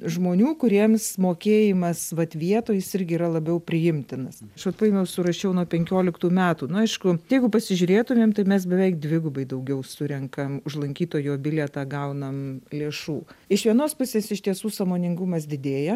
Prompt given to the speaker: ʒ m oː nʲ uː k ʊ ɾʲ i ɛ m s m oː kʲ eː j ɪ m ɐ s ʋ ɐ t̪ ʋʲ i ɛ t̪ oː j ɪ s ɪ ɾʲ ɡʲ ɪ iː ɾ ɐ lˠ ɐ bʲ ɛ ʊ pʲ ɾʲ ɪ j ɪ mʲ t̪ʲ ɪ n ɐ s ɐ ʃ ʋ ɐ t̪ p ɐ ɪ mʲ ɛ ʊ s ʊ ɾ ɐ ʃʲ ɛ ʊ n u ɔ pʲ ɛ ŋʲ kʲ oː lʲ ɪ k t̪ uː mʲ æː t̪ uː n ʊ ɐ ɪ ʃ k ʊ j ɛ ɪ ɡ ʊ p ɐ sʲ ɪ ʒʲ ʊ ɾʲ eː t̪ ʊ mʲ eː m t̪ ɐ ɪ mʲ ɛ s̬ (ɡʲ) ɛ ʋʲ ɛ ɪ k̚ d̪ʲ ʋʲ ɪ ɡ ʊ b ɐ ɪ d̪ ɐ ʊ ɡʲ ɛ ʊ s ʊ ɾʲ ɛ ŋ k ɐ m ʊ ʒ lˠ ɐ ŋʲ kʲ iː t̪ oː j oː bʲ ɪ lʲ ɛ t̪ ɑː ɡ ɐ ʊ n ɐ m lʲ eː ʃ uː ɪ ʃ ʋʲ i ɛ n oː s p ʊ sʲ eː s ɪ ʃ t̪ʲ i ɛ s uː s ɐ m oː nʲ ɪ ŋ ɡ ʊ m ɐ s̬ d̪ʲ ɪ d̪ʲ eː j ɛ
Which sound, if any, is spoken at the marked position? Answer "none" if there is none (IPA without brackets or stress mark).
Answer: bʲ